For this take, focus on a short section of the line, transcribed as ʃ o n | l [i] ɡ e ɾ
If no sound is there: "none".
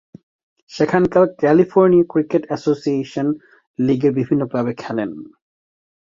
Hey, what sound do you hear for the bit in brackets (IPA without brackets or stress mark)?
i